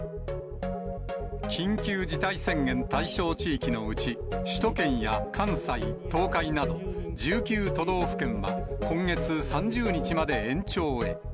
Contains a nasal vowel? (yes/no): yes